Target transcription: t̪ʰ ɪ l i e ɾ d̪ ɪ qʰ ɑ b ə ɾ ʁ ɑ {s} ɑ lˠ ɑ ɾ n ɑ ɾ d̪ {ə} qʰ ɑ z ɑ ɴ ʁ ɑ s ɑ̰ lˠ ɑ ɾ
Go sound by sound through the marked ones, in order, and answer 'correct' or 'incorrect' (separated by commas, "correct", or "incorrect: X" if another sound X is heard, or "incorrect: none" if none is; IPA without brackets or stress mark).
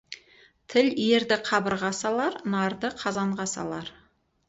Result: correct, correct